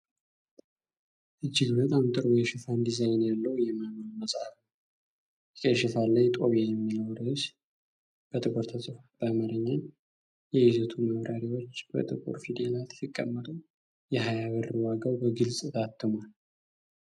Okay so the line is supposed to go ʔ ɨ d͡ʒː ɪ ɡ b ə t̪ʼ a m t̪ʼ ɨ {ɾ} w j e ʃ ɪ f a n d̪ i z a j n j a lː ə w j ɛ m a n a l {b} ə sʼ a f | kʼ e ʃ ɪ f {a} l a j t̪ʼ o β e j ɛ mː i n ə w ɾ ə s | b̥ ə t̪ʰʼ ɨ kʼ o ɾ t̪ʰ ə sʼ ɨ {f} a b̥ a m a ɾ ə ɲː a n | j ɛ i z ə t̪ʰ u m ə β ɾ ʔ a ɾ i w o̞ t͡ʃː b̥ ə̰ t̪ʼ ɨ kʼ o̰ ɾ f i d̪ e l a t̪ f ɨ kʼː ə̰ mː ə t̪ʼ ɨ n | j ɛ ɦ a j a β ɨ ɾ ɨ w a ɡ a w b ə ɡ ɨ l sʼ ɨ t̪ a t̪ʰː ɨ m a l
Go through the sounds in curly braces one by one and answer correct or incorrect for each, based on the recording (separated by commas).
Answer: correct, incorrect, correct, correct